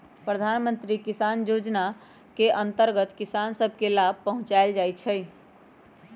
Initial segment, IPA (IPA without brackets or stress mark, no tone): p